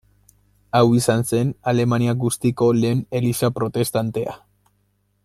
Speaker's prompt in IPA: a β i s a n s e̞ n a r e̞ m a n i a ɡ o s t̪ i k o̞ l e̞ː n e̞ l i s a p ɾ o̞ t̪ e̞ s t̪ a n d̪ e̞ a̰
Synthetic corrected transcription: a w i s a n s e̞ n a l e̞ m a n i a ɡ u s t̪ i k o̞ l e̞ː n e̞ l i s a p ɾ o̞ t̪ e̞ s t̪ a n t̪ e̞ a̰